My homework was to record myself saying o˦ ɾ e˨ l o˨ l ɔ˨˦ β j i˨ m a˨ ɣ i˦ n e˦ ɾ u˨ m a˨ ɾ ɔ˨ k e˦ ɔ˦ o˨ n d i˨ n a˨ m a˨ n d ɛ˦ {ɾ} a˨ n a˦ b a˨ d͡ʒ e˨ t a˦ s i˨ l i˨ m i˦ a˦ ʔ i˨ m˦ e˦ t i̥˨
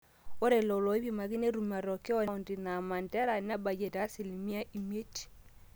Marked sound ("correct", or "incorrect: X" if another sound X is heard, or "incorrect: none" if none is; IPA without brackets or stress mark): correct